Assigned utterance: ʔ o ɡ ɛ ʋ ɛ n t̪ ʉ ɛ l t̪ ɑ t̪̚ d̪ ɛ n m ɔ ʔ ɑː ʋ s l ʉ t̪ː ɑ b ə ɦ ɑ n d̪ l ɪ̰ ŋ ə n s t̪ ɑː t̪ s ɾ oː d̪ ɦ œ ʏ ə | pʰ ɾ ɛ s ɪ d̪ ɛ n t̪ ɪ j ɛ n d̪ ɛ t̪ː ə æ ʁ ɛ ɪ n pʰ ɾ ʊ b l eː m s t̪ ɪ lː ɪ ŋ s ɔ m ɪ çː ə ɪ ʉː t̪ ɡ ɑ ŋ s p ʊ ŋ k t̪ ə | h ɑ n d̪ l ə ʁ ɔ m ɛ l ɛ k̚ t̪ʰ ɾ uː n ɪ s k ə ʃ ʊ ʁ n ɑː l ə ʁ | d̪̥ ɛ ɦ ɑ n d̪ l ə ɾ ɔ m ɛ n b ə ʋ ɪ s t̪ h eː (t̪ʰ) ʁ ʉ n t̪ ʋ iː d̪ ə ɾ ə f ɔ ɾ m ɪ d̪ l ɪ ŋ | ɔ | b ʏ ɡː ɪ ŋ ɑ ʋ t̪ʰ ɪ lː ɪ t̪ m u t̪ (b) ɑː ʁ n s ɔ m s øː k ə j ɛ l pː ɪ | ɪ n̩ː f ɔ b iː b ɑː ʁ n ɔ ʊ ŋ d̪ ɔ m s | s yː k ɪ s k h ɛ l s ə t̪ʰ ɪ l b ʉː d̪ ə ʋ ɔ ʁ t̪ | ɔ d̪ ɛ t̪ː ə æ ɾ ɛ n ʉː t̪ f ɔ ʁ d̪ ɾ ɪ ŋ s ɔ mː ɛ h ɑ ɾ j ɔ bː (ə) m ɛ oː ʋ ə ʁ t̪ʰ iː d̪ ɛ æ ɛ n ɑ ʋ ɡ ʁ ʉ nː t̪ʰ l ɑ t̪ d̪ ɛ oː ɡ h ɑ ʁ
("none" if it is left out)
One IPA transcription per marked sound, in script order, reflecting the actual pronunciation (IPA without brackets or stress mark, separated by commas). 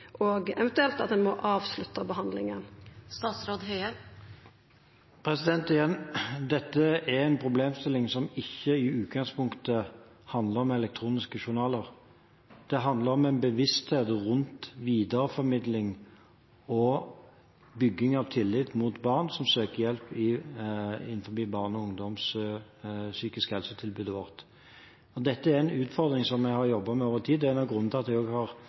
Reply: t̪, b, ɑ